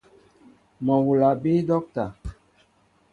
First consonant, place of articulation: labial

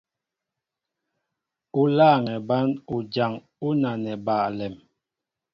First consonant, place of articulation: alveolar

